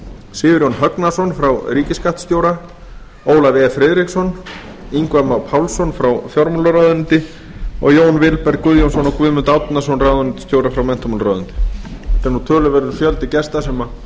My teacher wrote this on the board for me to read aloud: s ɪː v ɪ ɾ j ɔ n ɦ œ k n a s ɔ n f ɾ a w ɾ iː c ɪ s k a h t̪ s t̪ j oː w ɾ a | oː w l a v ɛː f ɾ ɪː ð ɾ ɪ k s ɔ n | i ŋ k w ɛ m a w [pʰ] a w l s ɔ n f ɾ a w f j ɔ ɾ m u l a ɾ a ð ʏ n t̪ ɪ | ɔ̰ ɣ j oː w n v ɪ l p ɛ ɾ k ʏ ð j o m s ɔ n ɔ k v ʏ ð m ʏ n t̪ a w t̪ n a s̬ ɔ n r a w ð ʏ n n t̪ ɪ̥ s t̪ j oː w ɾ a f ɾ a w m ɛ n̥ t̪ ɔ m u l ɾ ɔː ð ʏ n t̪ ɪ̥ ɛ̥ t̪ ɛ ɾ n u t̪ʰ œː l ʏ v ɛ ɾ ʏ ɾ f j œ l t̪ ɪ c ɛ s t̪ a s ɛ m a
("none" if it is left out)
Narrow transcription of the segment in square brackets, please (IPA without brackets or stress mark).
pʰ